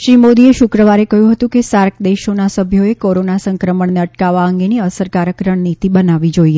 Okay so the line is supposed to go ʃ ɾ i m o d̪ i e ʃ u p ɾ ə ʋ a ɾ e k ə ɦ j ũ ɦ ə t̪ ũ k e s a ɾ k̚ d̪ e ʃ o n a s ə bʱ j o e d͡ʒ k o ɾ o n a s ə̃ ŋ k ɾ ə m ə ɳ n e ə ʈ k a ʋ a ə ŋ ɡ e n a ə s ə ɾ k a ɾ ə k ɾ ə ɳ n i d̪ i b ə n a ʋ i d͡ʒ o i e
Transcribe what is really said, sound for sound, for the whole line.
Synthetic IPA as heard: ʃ ɾ i m o d̪ i e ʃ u k ɾ ə ʋ a ɾ e k ə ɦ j ũ ɦ ə t̪ ũ k e s a ɾ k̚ d̪ e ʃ o n a s ə bʱ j o e k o ɾ o n a s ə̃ ŋ k ɾ ə m ə ɳ n e ə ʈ k a ʋ a ə ŋ ɡ e n i ə s ə ɾ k a ɾ ə k ɾ ə ɳ n i t̪ i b ə n a ʋ i d͡ʒ o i e